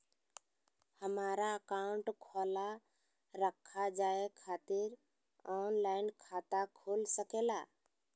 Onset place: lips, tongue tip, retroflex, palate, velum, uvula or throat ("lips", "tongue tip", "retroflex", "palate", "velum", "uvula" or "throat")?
throat